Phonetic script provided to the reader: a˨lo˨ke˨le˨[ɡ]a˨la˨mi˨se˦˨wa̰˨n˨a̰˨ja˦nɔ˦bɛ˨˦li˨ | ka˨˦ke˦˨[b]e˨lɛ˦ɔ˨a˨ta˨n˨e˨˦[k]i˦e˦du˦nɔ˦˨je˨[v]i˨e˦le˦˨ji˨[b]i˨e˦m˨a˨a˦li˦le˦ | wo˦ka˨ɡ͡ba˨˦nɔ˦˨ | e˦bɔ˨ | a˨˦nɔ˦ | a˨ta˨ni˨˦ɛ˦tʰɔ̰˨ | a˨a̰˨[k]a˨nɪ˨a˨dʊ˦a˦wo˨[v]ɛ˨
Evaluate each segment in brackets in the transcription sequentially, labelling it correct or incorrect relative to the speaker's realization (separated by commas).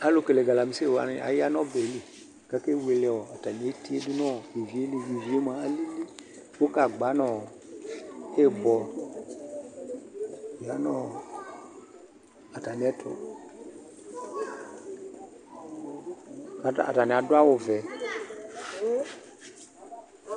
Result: correct, incorrect, incorrect, correct, incorrect, incorrect, correct